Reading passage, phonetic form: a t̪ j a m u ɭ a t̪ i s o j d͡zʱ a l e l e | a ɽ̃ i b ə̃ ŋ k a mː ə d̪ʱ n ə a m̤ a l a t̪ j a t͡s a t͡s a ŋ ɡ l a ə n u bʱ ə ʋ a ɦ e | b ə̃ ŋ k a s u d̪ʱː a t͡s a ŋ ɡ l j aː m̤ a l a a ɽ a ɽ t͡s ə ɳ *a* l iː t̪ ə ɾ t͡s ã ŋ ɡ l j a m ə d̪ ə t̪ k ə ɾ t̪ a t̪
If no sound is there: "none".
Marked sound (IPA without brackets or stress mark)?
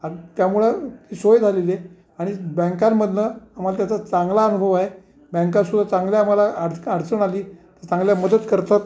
a